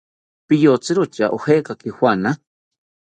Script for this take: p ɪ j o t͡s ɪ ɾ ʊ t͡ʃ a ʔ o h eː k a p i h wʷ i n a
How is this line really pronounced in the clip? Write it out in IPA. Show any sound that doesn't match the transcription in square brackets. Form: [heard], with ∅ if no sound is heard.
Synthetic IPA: p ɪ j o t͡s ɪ ɾ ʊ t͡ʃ a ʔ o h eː k a [k] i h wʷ [a] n a